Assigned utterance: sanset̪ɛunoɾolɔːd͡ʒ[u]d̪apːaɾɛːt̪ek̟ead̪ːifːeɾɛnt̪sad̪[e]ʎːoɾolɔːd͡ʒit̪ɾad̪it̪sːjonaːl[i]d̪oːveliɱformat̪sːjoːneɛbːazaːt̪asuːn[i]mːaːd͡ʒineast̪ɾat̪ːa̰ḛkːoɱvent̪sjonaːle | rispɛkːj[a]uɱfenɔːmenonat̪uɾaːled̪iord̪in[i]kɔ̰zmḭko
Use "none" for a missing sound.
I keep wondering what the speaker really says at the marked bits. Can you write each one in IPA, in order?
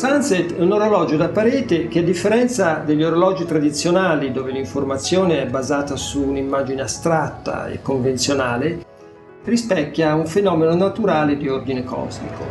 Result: o, e, i, i, a, e

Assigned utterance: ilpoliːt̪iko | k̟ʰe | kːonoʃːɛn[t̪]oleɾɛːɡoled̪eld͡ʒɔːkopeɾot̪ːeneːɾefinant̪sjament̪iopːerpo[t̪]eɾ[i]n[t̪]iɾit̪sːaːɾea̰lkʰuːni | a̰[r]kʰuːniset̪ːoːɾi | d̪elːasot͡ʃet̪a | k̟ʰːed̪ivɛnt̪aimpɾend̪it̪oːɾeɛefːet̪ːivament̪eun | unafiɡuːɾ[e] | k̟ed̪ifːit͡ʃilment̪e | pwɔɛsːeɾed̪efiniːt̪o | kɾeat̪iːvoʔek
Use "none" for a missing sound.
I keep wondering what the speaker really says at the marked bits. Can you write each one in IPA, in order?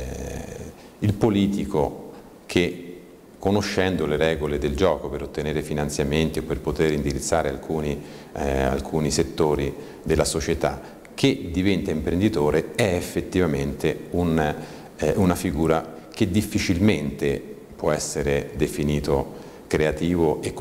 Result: d̪, t̪, i, d̪, l, a

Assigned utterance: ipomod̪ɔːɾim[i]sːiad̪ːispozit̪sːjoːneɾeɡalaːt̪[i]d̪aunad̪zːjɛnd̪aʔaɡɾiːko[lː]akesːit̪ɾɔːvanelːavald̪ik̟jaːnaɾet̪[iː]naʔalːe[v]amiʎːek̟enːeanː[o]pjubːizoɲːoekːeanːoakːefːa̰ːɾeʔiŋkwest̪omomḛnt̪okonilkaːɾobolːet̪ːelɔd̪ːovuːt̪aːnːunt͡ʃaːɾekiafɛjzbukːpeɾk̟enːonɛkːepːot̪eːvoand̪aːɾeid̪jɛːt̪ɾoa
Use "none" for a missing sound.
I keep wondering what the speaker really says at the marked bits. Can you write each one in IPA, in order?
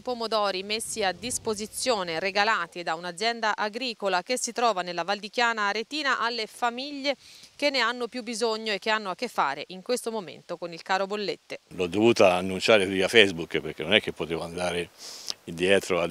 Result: e, i, l, iː, f, o

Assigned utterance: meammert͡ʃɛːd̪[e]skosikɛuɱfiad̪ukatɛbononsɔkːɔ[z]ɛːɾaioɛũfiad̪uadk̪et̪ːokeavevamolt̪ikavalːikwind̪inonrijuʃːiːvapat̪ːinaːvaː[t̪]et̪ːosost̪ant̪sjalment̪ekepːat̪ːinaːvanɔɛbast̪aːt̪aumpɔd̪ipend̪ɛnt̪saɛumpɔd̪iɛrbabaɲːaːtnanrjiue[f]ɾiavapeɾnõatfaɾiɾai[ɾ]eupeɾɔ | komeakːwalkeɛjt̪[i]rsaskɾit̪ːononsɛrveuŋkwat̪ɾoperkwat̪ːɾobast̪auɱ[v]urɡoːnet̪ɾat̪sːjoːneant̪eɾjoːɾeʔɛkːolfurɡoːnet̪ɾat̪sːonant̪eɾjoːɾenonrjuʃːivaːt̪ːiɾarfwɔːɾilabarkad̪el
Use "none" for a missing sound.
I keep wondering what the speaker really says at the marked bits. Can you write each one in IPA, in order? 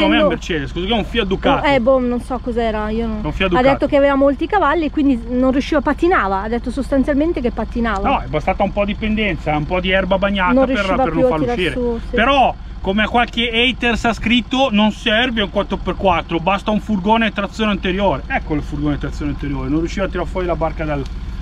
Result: e, z, d̪, ʃ, ɾ, e, f

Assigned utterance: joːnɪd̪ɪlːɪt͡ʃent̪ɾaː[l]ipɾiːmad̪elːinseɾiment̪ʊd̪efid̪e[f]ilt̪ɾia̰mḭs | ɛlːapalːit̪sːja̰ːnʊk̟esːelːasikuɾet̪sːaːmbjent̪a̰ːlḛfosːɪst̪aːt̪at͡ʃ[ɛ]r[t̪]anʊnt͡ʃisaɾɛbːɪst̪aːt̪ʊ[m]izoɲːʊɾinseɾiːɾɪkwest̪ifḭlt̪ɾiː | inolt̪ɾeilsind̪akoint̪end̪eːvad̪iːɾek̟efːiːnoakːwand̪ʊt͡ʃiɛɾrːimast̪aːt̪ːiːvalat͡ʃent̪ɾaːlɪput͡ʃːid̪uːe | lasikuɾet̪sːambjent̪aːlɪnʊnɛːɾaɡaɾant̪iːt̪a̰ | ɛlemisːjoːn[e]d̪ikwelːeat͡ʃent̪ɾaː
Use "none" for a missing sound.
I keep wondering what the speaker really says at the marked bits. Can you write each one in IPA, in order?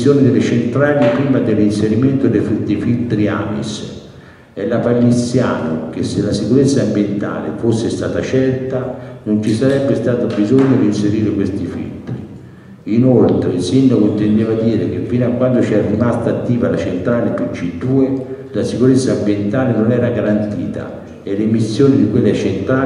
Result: l, f, ɛ, t̪, b, i

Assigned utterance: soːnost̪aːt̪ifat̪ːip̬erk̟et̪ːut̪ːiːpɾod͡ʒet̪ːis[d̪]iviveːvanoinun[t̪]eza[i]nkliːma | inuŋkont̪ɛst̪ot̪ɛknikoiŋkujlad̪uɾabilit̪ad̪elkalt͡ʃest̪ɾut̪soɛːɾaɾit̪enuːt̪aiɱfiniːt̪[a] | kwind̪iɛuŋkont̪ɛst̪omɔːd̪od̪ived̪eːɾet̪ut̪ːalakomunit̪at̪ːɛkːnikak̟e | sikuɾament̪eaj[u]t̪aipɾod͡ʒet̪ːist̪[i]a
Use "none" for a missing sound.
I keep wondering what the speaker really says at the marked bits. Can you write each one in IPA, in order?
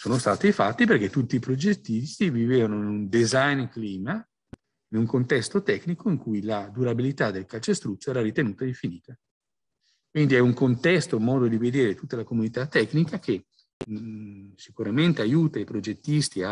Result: t̪, d̪, j, a, uː, i

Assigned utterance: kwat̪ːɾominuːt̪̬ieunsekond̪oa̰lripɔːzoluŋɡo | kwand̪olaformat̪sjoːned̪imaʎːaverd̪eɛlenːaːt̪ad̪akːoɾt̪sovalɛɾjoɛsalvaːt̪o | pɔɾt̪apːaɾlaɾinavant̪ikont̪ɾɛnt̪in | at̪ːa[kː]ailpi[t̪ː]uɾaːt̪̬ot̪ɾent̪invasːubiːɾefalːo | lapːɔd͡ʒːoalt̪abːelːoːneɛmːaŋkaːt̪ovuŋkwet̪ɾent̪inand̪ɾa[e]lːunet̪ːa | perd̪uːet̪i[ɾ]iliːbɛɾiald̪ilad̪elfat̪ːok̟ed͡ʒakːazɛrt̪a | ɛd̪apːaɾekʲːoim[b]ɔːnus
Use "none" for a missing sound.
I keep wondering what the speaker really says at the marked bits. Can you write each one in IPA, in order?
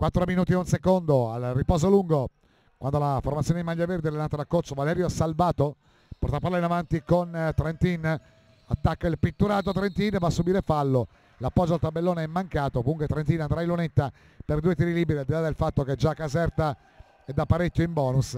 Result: kː, t̪ː, i, ɾ, b

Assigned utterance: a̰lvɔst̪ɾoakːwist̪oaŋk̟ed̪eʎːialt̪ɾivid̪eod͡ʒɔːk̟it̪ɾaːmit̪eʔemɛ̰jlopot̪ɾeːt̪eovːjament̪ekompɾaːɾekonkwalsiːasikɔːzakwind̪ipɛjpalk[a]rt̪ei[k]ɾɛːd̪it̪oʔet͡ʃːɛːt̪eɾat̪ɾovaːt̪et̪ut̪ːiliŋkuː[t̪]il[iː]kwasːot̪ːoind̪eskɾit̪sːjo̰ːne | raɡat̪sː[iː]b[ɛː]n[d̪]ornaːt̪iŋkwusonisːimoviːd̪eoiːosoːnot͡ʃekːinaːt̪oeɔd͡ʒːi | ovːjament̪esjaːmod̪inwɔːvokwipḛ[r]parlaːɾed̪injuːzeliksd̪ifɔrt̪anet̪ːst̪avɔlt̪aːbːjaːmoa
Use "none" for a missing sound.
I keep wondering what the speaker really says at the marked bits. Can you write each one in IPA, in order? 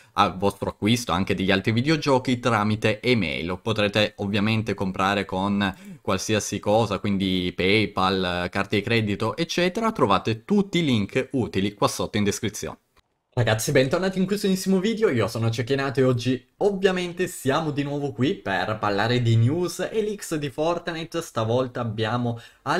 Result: a, k, t̪, i, i, ɛ, t̪, r

